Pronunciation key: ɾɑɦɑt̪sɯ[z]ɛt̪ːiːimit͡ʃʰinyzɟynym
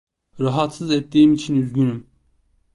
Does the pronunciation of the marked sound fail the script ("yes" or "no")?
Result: no